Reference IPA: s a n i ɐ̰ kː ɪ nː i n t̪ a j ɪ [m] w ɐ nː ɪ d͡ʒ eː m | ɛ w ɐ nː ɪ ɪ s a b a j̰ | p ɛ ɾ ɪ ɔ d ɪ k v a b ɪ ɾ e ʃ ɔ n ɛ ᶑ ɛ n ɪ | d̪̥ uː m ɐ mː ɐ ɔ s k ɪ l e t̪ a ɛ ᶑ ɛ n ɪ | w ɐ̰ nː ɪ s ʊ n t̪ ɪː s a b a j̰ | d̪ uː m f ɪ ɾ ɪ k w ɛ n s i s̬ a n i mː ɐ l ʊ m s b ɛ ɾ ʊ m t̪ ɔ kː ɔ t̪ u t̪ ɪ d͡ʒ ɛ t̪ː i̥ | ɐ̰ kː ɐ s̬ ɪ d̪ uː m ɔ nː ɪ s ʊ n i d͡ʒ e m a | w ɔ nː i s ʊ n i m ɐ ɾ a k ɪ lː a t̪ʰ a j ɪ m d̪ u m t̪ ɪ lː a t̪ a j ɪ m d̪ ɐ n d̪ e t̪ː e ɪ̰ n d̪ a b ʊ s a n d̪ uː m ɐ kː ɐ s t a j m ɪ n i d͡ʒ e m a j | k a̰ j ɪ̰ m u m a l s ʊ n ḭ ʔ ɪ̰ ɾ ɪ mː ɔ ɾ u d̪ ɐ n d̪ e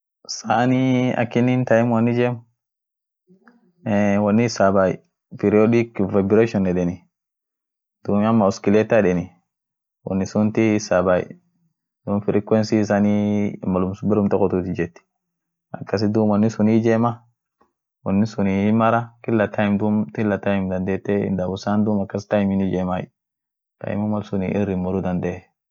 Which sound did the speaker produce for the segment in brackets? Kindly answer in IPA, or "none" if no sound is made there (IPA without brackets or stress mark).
m